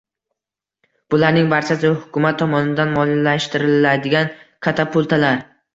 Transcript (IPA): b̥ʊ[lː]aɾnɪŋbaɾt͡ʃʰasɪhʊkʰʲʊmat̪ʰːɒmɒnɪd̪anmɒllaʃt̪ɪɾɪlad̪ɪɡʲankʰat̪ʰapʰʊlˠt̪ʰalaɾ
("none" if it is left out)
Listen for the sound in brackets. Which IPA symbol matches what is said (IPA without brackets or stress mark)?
l